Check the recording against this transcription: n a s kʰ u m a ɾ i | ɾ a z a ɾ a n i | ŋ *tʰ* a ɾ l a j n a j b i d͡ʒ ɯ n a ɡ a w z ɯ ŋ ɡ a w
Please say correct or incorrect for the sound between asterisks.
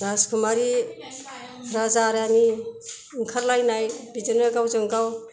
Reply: incorrect